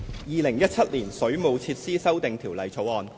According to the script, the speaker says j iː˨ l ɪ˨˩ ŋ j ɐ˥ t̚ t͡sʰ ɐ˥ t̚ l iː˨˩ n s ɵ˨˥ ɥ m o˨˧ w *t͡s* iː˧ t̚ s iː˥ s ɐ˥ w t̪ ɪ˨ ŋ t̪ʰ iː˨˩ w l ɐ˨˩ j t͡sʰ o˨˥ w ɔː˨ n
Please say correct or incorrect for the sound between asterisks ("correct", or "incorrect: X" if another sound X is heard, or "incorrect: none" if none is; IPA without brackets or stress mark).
incorrect: t͡sʰ